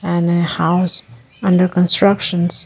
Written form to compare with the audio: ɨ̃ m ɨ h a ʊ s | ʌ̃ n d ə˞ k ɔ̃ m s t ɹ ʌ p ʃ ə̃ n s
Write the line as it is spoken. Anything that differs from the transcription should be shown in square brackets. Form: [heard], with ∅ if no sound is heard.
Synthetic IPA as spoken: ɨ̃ [n] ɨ h a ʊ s | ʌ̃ n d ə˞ k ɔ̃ [n] s t ɹ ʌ [k] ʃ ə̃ n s